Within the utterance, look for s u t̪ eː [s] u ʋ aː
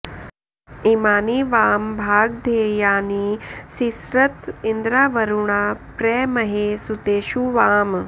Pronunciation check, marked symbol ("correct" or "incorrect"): incorrect